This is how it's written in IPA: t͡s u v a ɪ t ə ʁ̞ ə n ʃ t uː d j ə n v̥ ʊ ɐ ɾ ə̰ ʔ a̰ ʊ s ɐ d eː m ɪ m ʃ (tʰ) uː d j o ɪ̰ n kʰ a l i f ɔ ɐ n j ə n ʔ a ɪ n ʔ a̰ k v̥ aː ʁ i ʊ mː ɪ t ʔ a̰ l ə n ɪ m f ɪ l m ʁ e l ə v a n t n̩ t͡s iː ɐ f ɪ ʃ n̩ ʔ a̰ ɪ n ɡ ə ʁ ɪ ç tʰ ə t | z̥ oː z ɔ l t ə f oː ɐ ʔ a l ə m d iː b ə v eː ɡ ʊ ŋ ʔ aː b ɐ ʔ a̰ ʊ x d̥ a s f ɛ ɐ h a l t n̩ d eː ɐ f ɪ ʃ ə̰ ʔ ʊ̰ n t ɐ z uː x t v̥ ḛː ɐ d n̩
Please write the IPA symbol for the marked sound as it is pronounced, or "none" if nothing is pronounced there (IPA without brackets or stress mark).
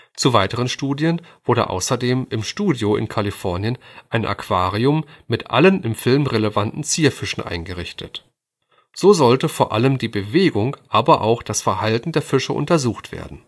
t